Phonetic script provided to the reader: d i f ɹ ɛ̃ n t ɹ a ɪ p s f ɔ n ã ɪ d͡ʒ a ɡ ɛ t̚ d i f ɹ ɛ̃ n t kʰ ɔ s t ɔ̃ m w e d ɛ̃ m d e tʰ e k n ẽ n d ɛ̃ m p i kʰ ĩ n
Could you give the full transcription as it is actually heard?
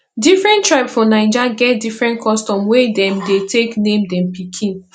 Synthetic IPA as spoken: d i f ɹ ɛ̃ n t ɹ a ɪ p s f ɔ n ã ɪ d͡ʒ a ɡ ɛ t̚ d i f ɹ ɛ̃ n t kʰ ɔ s t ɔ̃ m w e d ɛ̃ m d e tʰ e k n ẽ m d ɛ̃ m p i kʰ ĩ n

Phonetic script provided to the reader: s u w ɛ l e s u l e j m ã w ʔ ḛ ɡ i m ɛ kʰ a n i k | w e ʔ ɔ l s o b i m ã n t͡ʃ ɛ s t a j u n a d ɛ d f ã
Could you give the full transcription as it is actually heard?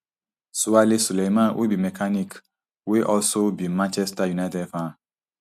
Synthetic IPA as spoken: s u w a l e s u l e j m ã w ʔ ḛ b i m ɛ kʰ a n i k | w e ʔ ɔ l s o b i m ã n t͡ʃ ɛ s t a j u n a t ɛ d f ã

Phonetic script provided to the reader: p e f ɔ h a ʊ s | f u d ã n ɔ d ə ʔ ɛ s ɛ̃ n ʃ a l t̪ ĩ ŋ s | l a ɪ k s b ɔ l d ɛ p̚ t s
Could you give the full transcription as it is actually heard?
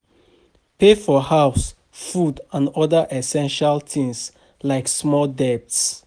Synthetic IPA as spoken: p e f ɔ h a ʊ s | f u d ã n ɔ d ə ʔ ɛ s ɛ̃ n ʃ a l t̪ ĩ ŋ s | l a ɪ k s m ɔ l d ɛ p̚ t s

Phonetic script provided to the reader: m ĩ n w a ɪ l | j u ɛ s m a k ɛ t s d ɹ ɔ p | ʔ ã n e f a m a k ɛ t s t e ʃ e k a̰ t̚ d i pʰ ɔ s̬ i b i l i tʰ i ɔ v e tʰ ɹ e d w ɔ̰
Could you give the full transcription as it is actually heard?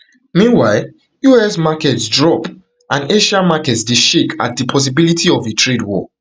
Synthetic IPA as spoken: m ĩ n w a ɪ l | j u ɛ s m a k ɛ t s d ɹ ɔ p | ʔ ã n e ʃ a m a k ɛ t s d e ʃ e k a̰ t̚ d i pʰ ɔ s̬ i b i l i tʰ i ɔ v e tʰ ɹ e d w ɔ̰

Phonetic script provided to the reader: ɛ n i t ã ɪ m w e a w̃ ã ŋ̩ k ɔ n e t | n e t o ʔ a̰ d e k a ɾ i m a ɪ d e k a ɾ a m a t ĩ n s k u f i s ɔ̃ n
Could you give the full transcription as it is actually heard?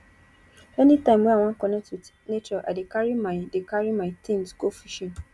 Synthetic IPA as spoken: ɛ n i t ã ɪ m w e a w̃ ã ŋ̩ k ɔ n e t | n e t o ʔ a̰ d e k a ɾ i m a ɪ d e k a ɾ i m a t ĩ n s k o f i ʃ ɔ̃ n

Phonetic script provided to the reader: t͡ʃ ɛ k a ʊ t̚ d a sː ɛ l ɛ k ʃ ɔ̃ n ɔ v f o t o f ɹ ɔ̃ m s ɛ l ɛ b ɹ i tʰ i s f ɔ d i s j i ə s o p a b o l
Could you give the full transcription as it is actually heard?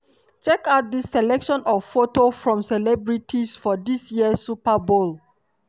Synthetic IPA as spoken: t͡ʃ ɛ k a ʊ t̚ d i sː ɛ l ɛ k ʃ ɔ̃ n ɔ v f o t o f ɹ ɔ̃ m s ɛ l ɛ b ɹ i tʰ i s f ɔ d i s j i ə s u p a b o l

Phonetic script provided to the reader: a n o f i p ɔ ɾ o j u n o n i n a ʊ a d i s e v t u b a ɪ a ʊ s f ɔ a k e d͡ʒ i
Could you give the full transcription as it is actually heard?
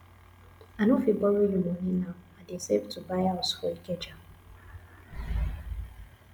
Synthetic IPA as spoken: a n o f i b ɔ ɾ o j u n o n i n a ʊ a d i s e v t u b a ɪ a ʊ s f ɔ i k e d͡ʒ a

